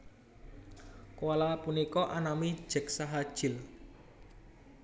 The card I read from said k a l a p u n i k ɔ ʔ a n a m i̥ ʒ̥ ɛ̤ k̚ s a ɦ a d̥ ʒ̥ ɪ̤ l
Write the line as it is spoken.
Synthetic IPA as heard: k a l a p u n i k ɔ ʔ a n a m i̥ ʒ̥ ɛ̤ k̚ s a ɦ a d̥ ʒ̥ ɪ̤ l